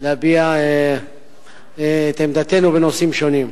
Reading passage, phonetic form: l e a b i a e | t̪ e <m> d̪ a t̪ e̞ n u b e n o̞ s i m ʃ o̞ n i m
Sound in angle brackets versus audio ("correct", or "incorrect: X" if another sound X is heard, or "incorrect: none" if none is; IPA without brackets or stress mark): correct